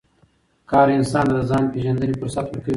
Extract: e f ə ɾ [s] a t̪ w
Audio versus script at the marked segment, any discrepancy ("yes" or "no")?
no